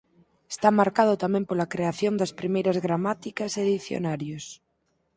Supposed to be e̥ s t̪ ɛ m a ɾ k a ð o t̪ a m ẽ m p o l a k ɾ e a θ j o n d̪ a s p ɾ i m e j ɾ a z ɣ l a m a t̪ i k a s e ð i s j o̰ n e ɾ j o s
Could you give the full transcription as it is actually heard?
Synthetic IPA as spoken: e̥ s t̪ a m a ɾ k a ð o t̪ a m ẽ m p o l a k ɾ e a θ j o n d̪ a s p ɾ i m e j ɾ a z ɣ ɾ a m a t̪ i k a s e ð i θ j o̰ n a ɾ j o s